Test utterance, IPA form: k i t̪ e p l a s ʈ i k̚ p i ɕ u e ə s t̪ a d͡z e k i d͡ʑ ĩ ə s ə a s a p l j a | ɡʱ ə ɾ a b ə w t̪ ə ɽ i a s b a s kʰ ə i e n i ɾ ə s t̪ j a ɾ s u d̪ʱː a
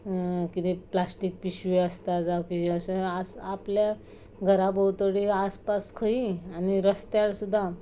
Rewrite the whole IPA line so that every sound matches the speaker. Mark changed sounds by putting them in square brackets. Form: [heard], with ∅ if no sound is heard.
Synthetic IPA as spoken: k i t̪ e p l a s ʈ i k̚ p i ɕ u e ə s t̪ a d͡z [a] k i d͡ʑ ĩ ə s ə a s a p l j a | ɡʱ ə ɾ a b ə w t̪ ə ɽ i a s [p] a s kʰ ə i [a] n i ɾ ə s t̪ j a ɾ s u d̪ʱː a